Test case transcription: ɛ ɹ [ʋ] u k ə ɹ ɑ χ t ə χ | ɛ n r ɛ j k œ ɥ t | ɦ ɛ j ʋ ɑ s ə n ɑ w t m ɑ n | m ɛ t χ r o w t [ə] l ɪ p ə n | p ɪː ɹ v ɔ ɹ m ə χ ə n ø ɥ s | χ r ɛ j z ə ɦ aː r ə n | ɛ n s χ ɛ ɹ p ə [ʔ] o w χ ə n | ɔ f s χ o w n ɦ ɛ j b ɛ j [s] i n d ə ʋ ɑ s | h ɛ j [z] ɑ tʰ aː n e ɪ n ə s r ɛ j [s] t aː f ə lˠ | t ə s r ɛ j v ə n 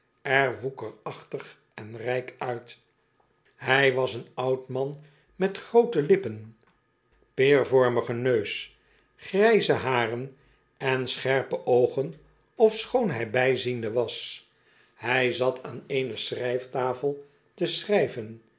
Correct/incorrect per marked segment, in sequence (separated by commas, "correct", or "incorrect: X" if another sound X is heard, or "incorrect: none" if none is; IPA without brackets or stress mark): correct, correct, correct, incorrect: z, correct, incorrect: f